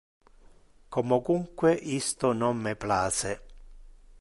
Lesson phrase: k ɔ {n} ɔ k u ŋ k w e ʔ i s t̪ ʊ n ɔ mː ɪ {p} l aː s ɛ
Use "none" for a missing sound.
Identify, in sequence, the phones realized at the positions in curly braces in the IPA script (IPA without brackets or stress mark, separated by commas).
m, p